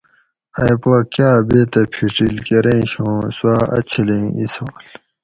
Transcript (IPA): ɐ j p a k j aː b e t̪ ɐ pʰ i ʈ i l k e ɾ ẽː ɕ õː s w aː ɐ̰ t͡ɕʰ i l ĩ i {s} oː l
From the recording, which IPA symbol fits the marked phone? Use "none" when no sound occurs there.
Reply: s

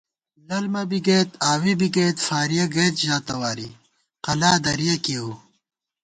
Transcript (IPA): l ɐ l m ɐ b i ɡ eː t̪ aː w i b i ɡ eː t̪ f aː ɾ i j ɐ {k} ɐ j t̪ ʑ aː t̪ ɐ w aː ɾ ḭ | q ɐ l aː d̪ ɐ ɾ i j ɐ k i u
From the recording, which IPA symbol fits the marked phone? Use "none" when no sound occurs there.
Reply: ɡ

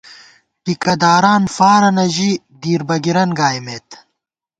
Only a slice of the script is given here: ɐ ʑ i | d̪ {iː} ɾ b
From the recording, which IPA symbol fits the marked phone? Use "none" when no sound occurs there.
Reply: iː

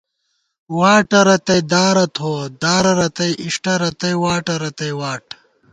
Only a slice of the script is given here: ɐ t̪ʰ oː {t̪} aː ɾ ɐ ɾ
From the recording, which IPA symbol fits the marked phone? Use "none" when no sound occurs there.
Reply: d̪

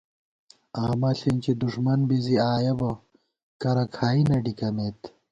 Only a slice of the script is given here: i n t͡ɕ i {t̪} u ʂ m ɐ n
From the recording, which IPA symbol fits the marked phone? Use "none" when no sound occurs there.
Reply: d̪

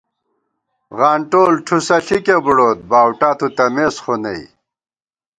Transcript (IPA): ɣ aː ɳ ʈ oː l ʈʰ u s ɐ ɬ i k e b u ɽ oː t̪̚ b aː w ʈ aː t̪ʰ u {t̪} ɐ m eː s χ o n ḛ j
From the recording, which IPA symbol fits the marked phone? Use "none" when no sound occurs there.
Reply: t̪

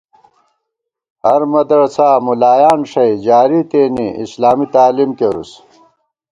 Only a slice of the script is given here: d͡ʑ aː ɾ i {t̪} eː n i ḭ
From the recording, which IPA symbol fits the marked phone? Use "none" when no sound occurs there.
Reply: t̪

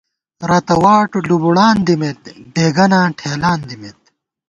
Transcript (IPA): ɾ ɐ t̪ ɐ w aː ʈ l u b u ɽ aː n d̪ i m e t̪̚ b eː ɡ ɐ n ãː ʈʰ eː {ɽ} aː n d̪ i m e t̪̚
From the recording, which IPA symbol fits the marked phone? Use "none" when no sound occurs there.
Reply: l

